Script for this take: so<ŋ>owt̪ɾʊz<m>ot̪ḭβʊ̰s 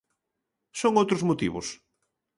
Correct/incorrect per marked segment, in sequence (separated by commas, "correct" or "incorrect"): correct, correct